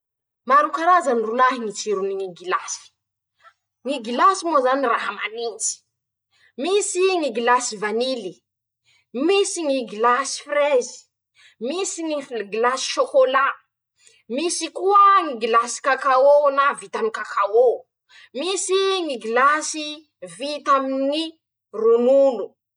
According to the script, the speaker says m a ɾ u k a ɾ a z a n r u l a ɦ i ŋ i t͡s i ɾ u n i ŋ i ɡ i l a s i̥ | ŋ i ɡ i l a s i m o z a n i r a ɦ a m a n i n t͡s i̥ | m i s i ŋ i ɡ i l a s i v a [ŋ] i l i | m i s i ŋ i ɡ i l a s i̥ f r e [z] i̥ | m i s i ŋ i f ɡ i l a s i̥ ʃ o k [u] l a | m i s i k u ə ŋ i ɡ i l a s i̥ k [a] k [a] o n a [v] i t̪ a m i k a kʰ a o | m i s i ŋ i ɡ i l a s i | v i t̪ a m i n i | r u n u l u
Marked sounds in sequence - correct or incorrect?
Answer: incorrect: n, correct, incorrect: o, correct, correct, correct

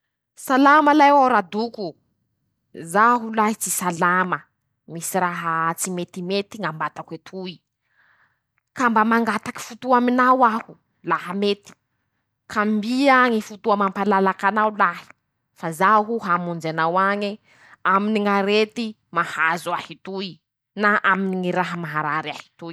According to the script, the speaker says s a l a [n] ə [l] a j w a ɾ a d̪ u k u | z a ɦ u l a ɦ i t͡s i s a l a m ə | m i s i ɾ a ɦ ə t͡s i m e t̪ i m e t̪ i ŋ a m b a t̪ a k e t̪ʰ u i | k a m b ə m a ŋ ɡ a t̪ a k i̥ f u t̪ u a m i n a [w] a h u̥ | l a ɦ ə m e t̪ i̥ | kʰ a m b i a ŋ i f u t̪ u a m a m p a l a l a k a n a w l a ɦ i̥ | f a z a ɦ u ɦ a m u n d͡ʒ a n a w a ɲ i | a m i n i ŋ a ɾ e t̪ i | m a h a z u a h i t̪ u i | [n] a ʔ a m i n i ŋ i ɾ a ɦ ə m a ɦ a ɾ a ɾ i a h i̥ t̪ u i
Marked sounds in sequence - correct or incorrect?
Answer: incorrect: m, correct, correct, correct

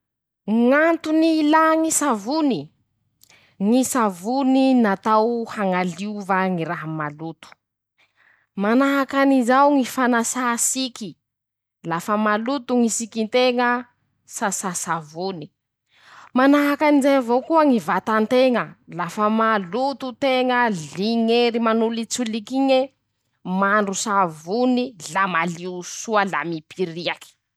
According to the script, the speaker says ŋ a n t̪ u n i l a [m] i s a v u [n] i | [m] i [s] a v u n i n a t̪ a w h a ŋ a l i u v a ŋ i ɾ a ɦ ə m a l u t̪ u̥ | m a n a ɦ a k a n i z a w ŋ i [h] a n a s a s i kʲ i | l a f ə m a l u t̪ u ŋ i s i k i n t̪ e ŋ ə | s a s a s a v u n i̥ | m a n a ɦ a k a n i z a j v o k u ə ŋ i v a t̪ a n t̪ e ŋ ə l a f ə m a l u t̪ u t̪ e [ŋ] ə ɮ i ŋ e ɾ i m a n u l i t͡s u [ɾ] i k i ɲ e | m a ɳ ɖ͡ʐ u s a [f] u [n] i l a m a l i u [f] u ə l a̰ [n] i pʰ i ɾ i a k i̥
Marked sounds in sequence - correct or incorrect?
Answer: incorrect: ŋ, correct, incorrect: ŋ, correct, incorrect: f, correct, incorrect: l, incorrect: v, correct, incorrect: s, incorrect: m

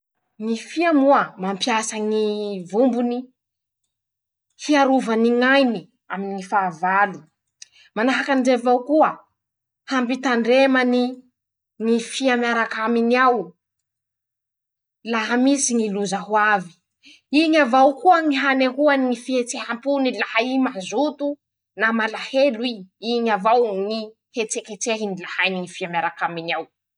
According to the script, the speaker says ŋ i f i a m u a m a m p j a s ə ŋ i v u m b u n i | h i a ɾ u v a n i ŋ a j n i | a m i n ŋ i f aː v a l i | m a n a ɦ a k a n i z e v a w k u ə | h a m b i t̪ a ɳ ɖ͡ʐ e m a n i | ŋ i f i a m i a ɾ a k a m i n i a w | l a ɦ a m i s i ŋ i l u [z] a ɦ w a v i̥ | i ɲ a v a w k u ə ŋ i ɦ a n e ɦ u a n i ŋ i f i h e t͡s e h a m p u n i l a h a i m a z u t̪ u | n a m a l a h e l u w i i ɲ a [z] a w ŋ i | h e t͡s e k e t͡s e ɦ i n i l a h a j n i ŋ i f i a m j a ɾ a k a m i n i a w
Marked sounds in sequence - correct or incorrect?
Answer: correct, incorrect: v

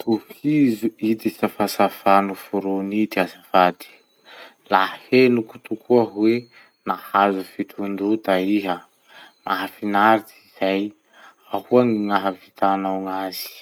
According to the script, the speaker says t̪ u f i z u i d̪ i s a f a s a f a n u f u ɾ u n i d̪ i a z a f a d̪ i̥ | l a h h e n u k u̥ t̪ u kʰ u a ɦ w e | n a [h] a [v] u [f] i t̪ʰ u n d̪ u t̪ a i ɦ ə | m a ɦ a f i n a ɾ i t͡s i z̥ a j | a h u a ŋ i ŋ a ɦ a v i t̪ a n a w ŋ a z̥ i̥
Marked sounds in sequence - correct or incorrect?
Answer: correct, incorrect: z, correct

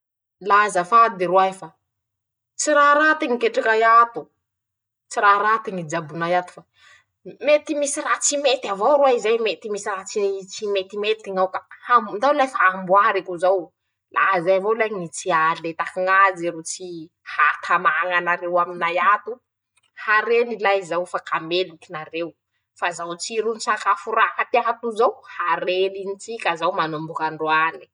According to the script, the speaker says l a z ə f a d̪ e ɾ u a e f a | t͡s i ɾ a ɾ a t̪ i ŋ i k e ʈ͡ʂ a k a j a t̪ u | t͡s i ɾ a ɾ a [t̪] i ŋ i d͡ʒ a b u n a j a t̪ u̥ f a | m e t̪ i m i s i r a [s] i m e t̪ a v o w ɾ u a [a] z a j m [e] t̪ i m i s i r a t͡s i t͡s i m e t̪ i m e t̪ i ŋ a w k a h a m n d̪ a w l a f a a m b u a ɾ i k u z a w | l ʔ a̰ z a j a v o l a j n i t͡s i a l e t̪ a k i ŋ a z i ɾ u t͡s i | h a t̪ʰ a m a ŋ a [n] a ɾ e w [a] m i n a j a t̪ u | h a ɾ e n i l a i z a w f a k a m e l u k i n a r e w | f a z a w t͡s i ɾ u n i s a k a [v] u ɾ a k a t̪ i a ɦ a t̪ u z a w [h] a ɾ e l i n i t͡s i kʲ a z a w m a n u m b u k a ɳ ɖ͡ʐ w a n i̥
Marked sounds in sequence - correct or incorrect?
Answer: correct, incorrect: t͡s, incorrect: i, correct, correct, correct, incorrect: f, correct

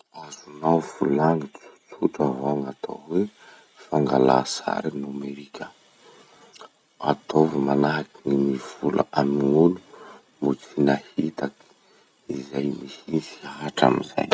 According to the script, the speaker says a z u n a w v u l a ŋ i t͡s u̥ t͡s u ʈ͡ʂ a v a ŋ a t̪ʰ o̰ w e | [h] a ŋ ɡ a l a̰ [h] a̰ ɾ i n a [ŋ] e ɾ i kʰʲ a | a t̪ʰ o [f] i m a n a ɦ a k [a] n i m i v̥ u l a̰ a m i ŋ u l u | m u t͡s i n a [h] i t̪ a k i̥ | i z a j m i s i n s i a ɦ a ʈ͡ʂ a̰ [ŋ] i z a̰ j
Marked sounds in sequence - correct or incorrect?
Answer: incorrect: f, incorrect: s, incorrect: m, incorrect: v, incorrect: i, correct, incorrect: m

